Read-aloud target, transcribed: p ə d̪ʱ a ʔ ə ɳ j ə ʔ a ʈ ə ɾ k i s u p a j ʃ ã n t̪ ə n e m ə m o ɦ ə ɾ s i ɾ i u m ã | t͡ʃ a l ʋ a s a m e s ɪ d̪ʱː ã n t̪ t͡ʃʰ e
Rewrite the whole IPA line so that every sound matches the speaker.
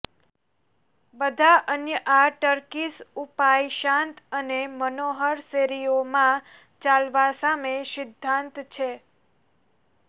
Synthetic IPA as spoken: b ə d̪ʱ a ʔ ə n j ə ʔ a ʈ ə ɾ k i s u p a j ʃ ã n t̪ ə n e m ə n o ɦ ə ɾ s e ɾ i o m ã | t͡ʃ a l ʋ a s a m e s ɪ d̪ʱː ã n t̪ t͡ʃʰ e